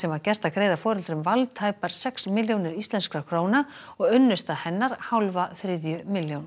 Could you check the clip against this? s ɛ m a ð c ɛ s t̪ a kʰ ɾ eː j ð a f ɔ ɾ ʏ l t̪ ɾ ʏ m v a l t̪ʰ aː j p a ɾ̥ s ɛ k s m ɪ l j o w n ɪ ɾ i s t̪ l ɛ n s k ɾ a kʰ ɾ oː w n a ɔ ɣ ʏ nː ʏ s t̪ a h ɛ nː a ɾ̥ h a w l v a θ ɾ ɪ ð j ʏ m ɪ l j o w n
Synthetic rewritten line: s ɛ m a ð c ɛ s t̪ a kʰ ɾ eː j ð a f ɔː ɾ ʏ l t̪ ɾ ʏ m v a l t̪ʰ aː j p a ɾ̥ s ɛ k s m ɪ l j o w n ɪ ɾ i s t̪ l ɛ n s k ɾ a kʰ ɾ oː w n a ɔ ɣ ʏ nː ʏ s t̪ a h ɛ nː a ɾ̥ h a w l v a θ ɾ ɪ ð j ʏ m ɪ l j o w n